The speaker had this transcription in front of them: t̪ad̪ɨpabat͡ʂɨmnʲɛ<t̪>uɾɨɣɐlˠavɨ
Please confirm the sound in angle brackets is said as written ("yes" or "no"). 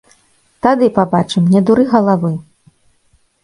no